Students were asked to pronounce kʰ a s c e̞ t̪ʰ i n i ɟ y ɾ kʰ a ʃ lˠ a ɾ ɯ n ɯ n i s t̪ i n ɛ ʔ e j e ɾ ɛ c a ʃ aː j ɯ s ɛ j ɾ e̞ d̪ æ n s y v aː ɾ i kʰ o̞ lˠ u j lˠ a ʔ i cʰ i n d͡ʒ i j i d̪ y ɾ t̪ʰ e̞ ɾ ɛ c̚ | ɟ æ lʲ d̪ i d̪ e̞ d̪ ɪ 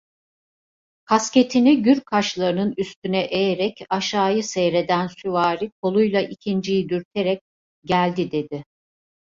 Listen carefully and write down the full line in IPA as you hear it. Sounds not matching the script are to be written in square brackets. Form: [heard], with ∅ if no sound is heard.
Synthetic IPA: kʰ a s c e̞ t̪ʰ i n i ɟ y ɾ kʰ a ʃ lˠ a ɾ ɯ n ɯ n [y] s t̪ [y] n ɛ ʔ e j e ɾ ɛ c a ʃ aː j ɯ s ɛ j ɾ e̞ d̪ æ n s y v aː ɾ i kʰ o̞ lˠ u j lˠ a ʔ i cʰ i n d͡ʒ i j i d̪ y ɾ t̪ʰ e̞ ɾ ɛ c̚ | ɟ æ lʲ d̪ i d̪ e̞ d̪ ɪ